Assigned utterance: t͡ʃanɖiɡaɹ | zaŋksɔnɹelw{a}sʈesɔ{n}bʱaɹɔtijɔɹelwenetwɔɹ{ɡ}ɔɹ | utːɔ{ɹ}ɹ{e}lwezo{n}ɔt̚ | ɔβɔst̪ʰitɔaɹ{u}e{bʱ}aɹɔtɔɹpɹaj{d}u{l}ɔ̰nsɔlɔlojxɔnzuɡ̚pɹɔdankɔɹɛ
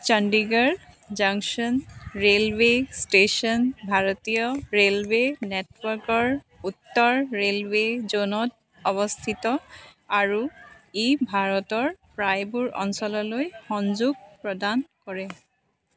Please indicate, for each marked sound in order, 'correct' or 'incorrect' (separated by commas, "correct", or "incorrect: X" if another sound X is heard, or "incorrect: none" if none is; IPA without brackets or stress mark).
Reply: incorrect: e, correct, incorrect: k, correct, correct, correct, correct, correct, incorrect: b, incorrect: ɹ